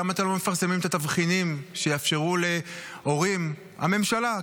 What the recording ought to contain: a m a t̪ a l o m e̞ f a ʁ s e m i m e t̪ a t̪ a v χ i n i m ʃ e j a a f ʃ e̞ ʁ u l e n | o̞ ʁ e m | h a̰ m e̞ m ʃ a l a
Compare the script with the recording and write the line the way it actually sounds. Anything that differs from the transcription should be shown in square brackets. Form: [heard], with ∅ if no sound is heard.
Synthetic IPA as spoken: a m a t̪ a l o m e̞ f a ʁ s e m i m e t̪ a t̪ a v χ i n i m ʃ e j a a f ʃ e̞ ʁ u l e [∅] | o̞ ʁ [i] m | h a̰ m e̞ m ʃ a l a